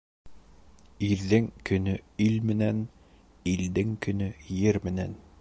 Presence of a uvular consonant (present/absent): absent